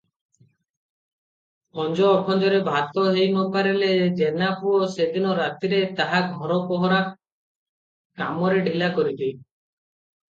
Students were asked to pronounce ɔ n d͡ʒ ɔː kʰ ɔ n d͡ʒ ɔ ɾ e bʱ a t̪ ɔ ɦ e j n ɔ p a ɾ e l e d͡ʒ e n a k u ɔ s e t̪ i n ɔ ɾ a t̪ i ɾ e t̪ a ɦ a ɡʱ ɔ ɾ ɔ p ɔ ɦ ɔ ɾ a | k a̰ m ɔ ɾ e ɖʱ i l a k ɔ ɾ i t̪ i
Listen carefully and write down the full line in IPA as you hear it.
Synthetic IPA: ɔ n d͡ʒ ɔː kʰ ɔ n d͡ʒ ɔ ɾ e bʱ a t̪ ɔ ɦ e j n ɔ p a ɾ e l e d͡ʒ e n a p u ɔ s e d̪ i n ɔ ɾ a t̪ i ɾ e t̪ a ɦ a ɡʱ ɔ ɾ ɔ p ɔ ɦ ɔ ɾ a | k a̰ m ɔ ɾ e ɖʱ i l a k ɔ ɾ i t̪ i